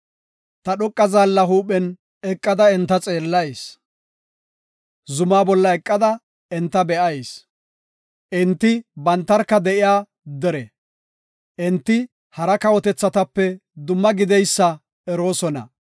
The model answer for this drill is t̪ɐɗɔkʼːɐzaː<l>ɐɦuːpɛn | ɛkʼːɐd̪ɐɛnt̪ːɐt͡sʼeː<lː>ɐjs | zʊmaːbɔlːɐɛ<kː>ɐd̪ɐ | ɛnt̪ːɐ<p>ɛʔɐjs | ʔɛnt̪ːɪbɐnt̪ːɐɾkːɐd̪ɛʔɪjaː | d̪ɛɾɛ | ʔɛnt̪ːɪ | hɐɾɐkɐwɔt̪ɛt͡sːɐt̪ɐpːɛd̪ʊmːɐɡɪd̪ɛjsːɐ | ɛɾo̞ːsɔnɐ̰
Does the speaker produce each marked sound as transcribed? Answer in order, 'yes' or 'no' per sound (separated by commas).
no, yes, no, no